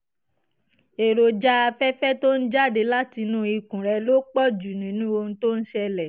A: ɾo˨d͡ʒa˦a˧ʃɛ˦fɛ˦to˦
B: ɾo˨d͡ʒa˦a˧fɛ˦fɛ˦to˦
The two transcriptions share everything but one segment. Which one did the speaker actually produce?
B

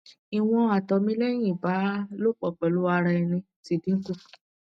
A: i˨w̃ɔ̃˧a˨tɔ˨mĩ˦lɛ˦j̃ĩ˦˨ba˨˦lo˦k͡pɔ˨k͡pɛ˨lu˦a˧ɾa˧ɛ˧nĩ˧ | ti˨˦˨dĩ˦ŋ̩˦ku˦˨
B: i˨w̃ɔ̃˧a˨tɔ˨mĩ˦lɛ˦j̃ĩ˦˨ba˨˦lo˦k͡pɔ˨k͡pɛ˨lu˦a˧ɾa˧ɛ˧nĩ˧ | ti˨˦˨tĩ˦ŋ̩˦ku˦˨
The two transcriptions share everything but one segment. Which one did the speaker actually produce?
A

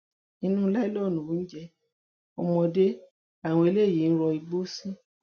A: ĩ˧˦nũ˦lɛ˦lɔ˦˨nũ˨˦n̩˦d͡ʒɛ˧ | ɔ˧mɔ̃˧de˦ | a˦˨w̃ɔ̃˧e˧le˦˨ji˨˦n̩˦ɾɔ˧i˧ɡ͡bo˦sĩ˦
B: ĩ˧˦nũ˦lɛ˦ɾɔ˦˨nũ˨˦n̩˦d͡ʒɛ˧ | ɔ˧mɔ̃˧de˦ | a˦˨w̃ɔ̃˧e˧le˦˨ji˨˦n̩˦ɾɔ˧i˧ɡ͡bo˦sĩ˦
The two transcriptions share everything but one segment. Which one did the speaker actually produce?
A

